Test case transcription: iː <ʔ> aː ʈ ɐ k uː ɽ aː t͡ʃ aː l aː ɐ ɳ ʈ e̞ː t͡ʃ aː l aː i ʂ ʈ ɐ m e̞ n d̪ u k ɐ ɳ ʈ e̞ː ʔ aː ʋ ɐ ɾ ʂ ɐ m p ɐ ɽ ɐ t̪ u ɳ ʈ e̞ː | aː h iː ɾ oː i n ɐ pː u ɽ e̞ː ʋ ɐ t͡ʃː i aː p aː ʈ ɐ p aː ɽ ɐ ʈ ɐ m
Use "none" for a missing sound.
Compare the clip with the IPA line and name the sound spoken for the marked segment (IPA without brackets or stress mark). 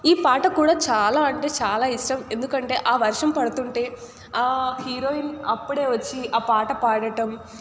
p